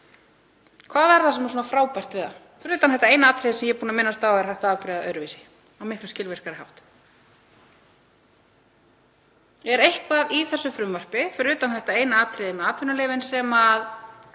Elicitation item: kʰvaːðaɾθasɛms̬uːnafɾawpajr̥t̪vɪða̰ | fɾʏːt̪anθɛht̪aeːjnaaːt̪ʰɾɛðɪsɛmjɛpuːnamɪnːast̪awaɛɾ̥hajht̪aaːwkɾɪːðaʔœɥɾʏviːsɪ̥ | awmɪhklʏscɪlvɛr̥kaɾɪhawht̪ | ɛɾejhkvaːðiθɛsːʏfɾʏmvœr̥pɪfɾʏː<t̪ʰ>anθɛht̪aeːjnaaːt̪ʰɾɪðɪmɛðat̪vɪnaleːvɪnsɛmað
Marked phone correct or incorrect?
incorrect